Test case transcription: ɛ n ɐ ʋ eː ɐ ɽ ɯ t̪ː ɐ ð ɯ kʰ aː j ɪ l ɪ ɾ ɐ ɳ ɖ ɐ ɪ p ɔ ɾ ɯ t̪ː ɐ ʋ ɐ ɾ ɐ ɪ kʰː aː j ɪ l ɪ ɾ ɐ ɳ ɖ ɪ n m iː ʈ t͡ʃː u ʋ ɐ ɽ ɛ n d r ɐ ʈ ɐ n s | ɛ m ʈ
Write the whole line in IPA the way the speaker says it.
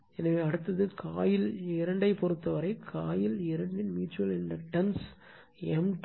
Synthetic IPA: ɛ n ɐ ʋ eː ɐ ɽ ɯ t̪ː ɐ ð ɯ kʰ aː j ɪ l ɪ ɾ ɐ ɳ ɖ ɐ ɪ p ɔ ɾ ɯ t̪ː ɐ ʋ ɐ ɾ ɐ ɪ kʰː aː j ɪ l ɪ ɾ ɐ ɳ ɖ ɪ n m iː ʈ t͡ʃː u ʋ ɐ l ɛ n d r ɐ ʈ ɐ n s | ɛ m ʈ